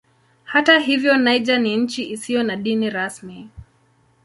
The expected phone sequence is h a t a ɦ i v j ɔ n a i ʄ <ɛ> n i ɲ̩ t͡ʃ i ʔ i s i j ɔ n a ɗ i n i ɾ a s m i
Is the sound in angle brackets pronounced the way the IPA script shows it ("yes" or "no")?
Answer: no